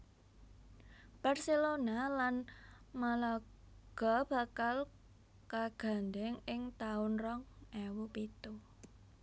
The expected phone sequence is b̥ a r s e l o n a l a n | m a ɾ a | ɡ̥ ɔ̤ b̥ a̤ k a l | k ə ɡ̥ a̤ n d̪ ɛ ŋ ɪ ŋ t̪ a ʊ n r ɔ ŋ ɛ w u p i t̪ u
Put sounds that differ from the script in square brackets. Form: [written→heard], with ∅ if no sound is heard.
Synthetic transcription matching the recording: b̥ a r s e l o n a l a n | m a [ɾ→l] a | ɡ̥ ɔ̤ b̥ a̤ k a l | k [ə→a] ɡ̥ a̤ n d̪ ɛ ŋ ɪ ŋ t̪ a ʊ n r ɔ ŋ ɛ w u p i t̪ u